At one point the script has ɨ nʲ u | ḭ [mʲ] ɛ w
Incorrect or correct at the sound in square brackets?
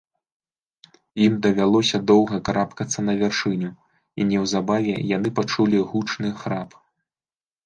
incorrect: nʲ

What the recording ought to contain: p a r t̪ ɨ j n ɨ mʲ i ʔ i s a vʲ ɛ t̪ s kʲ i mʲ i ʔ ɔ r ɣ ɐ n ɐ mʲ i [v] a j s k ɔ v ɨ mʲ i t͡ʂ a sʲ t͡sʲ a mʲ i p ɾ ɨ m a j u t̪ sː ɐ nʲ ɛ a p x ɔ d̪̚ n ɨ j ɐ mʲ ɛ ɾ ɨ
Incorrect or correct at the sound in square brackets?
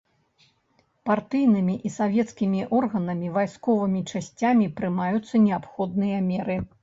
correct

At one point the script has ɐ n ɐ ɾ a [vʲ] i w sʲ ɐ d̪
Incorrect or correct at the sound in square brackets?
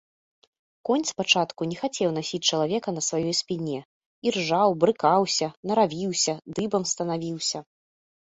correct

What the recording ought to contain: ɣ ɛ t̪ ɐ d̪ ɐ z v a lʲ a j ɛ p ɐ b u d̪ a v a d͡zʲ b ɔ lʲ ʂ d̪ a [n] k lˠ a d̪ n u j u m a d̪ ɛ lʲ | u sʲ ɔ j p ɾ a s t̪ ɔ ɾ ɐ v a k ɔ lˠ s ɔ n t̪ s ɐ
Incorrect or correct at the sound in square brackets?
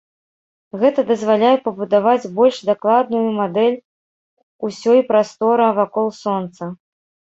incorrect: none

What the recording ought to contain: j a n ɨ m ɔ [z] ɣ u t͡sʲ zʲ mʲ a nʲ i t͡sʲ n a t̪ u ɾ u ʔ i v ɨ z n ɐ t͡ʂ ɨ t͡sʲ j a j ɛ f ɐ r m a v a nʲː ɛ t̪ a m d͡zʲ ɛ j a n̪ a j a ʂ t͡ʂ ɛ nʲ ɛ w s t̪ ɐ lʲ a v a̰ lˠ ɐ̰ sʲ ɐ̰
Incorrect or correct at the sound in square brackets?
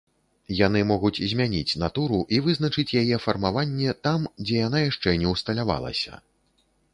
incorrect: none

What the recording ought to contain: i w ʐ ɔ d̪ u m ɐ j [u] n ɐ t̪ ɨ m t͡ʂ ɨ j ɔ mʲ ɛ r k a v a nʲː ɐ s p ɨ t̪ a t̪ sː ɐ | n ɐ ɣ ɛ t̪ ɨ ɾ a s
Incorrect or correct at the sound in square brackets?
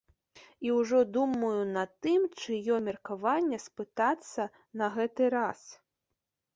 correct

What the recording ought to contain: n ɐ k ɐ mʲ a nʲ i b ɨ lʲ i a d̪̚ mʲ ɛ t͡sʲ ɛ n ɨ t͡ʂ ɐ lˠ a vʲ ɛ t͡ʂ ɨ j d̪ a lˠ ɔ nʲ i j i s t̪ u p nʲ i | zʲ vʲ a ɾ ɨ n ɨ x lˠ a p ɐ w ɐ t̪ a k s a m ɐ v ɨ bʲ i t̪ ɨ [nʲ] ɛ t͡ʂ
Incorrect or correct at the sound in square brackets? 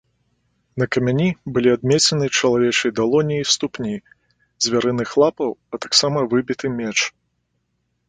incorrect: mʲ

